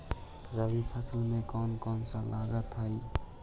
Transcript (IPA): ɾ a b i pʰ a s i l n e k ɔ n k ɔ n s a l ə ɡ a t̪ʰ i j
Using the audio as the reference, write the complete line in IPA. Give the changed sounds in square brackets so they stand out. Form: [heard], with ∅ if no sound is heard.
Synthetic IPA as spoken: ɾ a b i pʰ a s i l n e k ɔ n k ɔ n s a l [a] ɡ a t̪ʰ [a] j